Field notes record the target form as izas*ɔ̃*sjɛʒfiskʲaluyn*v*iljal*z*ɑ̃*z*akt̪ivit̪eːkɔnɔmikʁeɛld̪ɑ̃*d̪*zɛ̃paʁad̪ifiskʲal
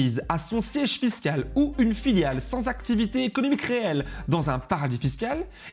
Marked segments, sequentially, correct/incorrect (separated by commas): correct, incorrect, incorrect, correct, incorrect